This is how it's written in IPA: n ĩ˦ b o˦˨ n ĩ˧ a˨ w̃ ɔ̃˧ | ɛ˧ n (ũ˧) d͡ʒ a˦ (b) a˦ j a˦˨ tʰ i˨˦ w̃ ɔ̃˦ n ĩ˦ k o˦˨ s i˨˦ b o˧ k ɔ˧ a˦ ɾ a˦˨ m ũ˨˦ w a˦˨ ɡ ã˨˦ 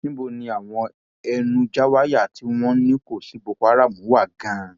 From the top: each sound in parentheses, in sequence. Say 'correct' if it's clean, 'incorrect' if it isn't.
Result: correct, incorrect

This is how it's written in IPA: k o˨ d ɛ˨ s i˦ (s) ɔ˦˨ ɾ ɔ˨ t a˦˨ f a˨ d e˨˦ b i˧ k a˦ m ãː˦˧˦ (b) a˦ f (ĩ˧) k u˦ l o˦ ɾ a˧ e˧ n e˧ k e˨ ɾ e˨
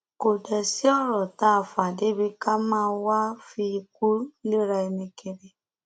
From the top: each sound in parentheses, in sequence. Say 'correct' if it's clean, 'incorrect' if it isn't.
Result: incorrect, incorrect, incorrect

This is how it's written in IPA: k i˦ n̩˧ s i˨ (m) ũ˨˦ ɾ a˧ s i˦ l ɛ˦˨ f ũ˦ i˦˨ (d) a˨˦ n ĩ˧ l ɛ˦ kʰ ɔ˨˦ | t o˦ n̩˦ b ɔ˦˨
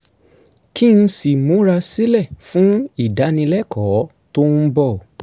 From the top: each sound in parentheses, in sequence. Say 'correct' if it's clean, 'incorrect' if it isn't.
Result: correct, correct

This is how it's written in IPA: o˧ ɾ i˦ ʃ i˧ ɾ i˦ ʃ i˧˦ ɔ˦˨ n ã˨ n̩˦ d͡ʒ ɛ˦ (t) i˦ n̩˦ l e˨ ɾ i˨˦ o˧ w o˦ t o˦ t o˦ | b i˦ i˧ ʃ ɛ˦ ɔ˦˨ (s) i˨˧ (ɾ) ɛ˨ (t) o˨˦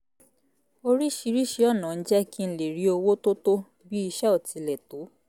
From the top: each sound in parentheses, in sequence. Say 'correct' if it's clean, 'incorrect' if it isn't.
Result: incorrect, incorrect, incorrect, correct

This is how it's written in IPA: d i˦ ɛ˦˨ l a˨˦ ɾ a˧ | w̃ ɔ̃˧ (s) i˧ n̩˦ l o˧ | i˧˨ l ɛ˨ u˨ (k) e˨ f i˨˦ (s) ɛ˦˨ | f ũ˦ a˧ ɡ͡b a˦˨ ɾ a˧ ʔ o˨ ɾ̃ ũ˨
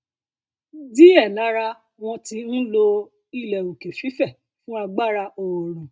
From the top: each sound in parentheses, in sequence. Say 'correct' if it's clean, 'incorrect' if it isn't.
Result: incorrect, correct, incorrect

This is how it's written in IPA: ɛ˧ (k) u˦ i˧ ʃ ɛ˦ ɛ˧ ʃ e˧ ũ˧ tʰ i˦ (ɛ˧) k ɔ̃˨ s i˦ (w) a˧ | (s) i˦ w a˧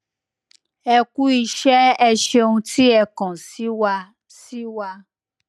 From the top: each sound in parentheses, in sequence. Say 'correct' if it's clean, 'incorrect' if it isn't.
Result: correct, correct, correct, correct

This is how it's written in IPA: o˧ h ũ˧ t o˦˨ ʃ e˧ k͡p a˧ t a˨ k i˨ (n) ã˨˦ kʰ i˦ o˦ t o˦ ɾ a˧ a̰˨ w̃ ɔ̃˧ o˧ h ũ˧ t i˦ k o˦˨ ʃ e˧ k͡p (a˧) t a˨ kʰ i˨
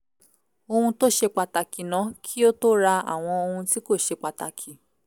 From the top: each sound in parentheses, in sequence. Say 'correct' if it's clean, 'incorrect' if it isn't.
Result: correct, correct

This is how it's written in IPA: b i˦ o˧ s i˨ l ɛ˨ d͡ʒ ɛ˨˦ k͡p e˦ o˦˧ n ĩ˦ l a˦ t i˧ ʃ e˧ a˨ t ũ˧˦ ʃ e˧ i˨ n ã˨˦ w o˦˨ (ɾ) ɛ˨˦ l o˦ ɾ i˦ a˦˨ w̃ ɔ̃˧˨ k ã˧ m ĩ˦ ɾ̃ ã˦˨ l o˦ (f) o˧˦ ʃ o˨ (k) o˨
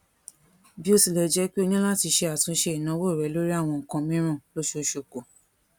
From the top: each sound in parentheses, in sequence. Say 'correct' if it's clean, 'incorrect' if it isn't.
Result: correct, incorrect, correct

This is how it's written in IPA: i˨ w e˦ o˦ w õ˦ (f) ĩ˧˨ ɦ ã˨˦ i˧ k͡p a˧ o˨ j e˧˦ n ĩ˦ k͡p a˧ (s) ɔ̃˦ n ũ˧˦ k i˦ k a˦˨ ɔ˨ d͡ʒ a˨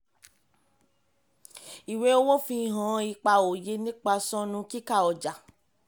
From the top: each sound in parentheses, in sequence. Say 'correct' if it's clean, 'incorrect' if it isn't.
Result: correct, correct

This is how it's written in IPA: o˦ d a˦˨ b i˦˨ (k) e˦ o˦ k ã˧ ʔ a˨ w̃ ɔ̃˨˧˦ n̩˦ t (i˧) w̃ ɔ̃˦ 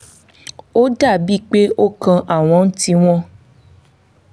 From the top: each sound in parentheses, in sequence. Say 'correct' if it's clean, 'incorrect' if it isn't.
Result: incorrect, correct

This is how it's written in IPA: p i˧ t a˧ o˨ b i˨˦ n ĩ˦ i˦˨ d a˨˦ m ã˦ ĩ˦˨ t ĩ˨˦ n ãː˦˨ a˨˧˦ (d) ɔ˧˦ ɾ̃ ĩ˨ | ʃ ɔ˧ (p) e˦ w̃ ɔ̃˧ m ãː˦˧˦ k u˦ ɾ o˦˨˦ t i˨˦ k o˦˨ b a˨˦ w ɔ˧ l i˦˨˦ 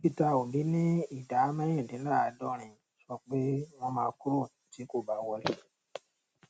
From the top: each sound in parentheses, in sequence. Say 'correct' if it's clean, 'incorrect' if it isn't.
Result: correct, incorrect

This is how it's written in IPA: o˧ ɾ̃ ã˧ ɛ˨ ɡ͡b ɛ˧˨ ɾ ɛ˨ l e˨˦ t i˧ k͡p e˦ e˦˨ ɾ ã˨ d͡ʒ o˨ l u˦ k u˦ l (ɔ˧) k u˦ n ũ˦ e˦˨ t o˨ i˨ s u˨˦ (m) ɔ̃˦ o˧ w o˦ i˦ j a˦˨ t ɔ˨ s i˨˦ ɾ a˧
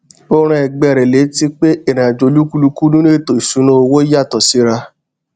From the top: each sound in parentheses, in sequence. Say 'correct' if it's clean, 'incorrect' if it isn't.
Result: incorrect, incorrect

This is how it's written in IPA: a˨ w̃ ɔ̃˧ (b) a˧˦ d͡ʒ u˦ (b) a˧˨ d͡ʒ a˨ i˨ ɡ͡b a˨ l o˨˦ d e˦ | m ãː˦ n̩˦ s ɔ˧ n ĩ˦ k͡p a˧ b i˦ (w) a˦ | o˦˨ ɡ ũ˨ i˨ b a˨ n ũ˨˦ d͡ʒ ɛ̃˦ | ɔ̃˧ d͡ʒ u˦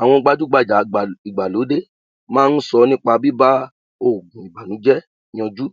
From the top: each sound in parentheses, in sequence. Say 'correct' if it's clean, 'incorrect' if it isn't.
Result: incorrect, incorrect, incorrect

